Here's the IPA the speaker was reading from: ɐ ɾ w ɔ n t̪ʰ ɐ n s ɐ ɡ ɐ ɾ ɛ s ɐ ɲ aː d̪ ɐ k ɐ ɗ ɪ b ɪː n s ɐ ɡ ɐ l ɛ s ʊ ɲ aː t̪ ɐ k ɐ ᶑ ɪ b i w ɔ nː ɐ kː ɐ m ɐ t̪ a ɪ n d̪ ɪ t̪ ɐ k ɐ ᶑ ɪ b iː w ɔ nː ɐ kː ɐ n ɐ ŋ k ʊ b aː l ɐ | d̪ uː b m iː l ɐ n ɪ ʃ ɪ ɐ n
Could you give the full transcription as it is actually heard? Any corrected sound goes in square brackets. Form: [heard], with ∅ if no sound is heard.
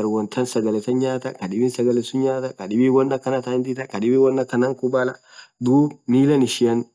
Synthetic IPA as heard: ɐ ɾ w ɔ n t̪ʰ ɐ n s ɐ ɡ ɐ [l] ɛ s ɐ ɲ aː [t̪] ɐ k ɐ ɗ ɪ b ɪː n s ɐ ɡ ɐ l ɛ s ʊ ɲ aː t̪ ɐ k ɐ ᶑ ɪ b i w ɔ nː ɐ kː ɐ [n] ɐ t̪ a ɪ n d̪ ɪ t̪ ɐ k ɐ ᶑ ɪ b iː w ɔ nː ɐ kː ɐ n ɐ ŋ k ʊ b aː l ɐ | d̪ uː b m iː l ɐ n ɪ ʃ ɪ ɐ n

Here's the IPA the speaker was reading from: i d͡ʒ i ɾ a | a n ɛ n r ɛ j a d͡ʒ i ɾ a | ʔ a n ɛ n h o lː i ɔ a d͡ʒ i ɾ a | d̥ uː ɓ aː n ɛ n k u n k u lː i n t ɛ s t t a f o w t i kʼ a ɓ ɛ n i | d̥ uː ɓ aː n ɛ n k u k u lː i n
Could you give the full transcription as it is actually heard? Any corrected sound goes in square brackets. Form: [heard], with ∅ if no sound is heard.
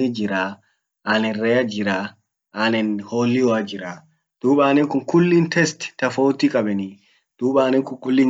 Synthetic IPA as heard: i d͡ʒ i ɾ a | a n ɛ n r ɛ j a d͡ʒ i ɾ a | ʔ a n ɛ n h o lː i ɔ a d͡ʒ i ɾ a | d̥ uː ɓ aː n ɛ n k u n k u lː i n t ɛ s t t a f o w t i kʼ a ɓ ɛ n i | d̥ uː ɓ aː n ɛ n k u k u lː i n

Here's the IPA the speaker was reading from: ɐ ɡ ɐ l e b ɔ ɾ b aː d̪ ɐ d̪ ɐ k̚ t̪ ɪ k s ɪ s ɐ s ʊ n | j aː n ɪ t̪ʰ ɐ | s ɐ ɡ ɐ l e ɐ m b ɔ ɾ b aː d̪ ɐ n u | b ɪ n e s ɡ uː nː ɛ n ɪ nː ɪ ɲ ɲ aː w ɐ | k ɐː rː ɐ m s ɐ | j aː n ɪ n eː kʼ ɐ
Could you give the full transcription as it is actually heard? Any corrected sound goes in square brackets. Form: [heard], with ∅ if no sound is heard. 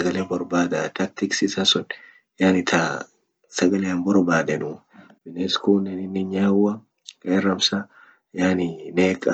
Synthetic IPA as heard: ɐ ɡ ɐ l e b ɔ ɾ b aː d̪ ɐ [t̪] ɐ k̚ t̪ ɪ k s ɪ s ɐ s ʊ n | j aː n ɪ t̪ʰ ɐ | s ɐ ɡ ɐ l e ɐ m b ɔ ɾ b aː d̪ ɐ n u | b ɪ n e s [k] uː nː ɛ n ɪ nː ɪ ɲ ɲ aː w ɐ | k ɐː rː ɐ m s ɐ | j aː n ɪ n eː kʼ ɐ

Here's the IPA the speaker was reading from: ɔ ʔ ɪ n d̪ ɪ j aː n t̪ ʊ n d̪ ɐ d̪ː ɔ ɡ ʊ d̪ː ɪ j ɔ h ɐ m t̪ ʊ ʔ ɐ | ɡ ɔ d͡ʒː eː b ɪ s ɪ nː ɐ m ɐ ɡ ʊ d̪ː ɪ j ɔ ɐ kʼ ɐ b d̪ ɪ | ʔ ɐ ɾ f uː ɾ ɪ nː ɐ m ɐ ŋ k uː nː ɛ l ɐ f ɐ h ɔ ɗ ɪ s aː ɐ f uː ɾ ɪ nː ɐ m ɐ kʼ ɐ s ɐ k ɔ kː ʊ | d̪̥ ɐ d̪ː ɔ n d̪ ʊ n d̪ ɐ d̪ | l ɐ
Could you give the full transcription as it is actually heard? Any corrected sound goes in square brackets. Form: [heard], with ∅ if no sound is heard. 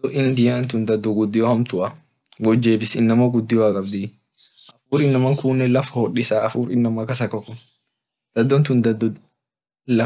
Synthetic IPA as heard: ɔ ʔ ɪ n d̪ ɪ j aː n t̪ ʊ n d̪ ɐ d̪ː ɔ ɡ ʊ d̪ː ɪ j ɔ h ɐ m t̪ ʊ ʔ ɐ | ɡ ɔ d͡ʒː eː b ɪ s ɪ nː ɐ m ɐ ɡ ʊ d̪ː ɪ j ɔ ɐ kʼ ɐ b d̪ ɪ | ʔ ɐ [∅] f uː ɾ ɪ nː ɐ m ɐ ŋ k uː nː ɛ l ɐ f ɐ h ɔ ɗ ɪ s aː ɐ f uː ɾ ɪ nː ɐ m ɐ [k] ɐ s ɐ k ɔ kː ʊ | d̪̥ ɐ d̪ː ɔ n [t̪] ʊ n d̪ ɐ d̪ | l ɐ

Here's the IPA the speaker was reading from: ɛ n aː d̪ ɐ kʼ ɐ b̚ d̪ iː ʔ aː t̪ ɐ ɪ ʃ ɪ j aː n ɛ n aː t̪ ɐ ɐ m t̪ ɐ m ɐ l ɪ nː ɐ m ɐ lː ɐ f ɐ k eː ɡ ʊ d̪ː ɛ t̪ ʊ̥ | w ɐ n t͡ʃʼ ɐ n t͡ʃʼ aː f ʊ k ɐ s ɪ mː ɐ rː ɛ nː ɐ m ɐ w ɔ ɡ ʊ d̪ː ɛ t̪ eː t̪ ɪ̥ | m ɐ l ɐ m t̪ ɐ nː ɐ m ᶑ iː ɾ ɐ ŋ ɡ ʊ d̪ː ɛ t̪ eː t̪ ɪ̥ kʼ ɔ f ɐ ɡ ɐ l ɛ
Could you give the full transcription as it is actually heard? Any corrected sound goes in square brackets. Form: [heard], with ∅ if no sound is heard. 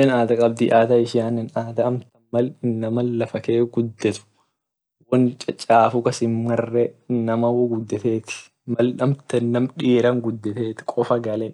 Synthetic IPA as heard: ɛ n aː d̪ ɐ kʼ ɐ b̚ d̪ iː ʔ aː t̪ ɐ ɪ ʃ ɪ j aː n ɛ n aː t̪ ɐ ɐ m t̪ ɐ m ɐ l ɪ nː ɐ m ɐ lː ɐ f ɐ k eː ɡ ʊ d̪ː ɛ t̪ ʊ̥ | w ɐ n t͡ʃʼ ɐ [∅] t͡ʃʼ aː f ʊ k ɐ s ɪ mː ɐ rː ɛ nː ɐ m ɐ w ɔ ɡ ʊ d̪ː ɛ t̪ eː t̪ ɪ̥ | m ɐ l ɐ m t̪ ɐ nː ɐ m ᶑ iː ɾ ɐ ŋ ɡ ʊ d̪ː ɛ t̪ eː t̪ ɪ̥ kʼ ɔ f ɐ ɡ ɐ l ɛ

